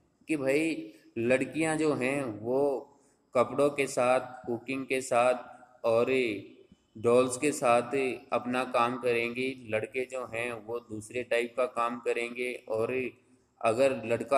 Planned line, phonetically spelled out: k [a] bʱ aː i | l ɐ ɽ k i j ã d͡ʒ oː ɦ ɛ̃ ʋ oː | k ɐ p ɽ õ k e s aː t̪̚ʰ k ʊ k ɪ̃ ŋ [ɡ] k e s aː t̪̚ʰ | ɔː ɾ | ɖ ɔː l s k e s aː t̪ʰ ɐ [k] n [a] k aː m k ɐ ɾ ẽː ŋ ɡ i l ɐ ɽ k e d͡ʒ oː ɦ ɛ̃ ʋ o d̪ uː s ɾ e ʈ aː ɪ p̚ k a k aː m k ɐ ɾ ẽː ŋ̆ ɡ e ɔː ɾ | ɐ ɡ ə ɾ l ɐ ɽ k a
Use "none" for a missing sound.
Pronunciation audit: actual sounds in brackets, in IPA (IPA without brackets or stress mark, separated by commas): i, ɡ, p, a